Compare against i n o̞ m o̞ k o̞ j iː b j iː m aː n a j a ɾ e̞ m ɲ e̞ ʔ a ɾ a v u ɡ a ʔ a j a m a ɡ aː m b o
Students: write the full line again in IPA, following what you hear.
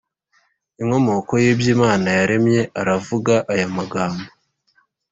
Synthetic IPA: i ŋ o̞ m o̞ k o̞ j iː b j iː m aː n a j a ɾ e̞ m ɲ e̞ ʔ a ɾ a v u ɡ a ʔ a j a m a ɡ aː m b o